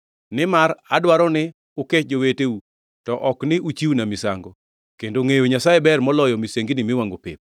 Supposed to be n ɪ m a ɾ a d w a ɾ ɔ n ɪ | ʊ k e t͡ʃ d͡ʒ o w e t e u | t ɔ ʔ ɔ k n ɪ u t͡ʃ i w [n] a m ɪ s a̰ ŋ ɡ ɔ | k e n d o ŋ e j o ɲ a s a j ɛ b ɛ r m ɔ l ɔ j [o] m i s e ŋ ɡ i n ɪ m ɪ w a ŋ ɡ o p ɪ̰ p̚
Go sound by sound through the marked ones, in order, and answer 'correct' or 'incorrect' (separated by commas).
correct, incorrect